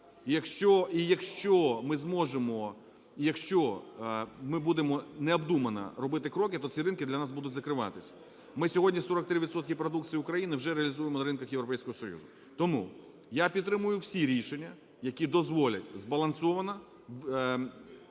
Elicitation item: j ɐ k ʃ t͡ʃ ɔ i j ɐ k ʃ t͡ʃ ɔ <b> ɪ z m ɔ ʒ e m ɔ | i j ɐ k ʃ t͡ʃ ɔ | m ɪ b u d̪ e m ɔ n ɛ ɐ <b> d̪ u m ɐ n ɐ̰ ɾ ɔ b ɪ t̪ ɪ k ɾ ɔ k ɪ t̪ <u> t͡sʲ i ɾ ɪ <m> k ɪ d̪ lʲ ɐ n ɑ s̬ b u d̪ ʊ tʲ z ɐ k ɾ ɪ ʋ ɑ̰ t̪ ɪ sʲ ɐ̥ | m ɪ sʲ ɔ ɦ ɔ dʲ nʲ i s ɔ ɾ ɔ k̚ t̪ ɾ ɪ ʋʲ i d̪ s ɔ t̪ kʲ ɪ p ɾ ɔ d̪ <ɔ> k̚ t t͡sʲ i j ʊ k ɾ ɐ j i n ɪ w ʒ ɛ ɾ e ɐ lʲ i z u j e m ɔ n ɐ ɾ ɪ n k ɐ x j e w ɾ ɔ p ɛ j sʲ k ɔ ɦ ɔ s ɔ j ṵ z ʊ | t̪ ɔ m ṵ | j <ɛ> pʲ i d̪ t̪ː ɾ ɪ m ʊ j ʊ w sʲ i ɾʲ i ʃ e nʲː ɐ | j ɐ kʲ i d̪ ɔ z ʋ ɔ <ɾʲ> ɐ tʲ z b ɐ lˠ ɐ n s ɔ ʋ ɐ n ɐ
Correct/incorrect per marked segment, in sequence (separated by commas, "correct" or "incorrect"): incorrect, correct, incorrect, incorrect, incorrect, incorrect, incorrect